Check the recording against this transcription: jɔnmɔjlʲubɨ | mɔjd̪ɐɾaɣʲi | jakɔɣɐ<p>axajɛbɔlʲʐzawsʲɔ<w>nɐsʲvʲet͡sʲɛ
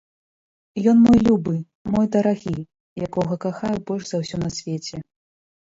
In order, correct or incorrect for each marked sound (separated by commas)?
incorrect, incorrect